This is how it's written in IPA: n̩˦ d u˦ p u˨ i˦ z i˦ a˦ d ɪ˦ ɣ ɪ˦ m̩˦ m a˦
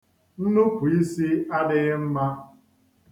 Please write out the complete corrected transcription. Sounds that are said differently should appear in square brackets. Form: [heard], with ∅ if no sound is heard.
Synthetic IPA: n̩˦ [n] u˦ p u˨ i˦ [s] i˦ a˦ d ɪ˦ ɣ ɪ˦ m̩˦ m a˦